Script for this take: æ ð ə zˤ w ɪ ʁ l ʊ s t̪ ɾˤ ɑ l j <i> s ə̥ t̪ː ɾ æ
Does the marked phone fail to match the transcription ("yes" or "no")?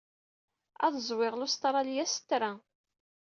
yes